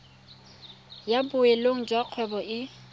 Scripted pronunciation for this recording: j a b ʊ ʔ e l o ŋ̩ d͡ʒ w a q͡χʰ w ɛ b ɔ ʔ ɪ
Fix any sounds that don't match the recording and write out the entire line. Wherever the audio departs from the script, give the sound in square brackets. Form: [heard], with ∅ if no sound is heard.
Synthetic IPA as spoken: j a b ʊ [∅] e l o ŋ̩ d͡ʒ w a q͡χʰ w ɛ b ɔ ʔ ɪ